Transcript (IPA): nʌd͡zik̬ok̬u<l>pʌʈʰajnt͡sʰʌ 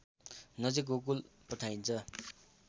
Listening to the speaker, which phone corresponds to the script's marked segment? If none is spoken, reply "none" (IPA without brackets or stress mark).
l